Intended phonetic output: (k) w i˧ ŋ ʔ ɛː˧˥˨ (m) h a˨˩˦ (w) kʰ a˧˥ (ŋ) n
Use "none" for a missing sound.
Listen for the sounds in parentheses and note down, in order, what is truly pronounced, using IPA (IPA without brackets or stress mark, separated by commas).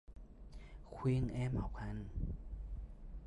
kʰ, m, w, none